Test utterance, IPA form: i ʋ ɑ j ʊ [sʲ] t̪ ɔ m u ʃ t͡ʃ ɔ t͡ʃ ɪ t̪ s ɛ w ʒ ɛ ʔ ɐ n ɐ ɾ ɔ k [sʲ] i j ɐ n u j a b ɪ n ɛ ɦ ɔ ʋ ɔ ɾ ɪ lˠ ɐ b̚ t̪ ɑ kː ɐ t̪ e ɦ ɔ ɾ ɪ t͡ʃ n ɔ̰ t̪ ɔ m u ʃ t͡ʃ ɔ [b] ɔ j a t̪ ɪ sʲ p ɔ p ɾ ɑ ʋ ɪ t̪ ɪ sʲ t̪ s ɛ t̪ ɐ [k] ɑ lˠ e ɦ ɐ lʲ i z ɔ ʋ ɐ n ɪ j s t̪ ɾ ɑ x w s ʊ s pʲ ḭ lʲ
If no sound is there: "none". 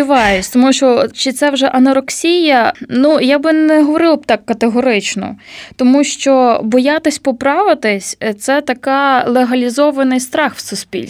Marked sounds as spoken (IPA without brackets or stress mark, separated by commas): sʲ, sʲ, b, k